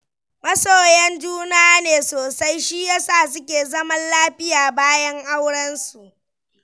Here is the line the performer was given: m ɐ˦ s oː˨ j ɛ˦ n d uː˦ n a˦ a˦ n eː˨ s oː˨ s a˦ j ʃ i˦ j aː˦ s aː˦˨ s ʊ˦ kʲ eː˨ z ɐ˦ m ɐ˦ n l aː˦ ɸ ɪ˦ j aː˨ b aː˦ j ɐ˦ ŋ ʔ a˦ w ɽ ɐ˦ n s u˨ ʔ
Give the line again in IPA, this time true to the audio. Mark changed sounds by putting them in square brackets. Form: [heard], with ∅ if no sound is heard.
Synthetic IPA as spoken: m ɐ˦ s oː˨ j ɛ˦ n [d͡ʒ] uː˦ n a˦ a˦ n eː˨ s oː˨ s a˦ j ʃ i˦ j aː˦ s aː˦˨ s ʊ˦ kʲ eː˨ z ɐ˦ m ɐ˦ n l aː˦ ɸ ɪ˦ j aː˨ b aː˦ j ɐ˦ ŋ ʔ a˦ w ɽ ɐ˦ n s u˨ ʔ